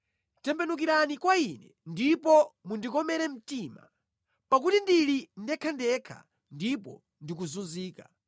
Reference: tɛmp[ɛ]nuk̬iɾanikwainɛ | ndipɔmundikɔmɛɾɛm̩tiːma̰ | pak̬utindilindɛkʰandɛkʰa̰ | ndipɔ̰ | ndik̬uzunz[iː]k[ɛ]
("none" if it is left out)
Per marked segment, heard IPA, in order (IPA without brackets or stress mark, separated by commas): ɛ, iː, a